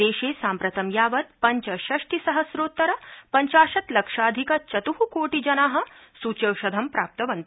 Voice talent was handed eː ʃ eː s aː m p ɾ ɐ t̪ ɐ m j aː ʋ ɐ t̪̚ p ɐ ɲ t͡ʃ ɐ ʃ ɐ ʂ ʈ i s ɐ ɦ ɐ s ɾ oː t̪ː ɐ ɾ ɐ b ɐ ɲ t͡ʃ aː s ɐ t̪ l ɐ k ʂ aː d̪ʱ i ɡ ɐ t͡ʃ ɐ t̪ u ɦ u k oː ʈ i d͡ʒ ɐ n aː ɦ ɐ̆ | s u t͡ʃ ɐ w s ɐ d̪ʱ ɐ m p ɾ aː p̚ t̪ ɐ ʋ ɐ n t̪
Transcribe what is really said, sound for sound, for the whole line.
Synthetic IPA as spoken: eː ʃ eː s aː m p ɾ ɐ t̪ ɐ m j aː ʋ ɐ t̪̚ p ɐ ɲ t͡ʃ ɐ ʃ ɐ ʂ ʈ i s ɐ ɦ ɐ s ɾ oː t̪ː ɐ ɾ ɐ p ɐ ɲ t͡ʃ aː ʃ ɐ t̪ l ɐ k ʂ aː d̪ʱ i k ɐ t͡ʃ ɐ t̪ u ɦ u k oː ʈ i d͡ʒ ɐ n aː ɦ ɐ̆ | s u t͡ʃ ɐ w ʃ ɐ d̪ʱ ɐ m p ɾ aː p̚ t̪ ɐ ʋ ɐ n t̪